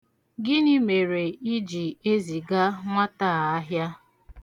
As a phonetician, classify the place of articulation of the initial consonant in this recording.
velar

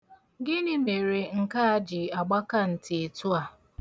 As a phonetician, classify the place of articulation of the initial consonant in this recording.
velar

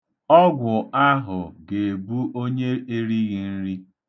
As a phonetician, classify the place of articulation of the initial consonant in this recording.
velar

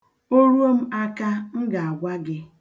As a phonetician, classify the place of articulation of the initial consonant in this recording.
alveolar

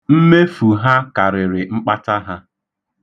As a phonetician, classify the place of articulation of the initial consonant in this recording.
labial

